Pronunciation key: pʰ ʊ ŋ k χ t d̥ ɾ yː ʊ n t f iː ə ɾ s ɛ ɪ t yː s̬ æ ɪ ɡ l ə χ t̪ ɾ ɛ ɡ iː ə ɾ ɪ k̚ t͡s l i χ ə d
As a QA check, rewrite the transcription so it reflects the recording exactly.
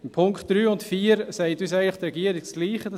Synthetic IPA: pʰ ʊ ŋ k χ t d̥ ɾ yː ʊ n t f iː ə ɾ s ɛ ɪ t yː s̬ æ ɪ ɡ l ə χ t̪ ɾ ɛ ɡ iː ə ɾ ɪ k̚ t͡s l iː χ ə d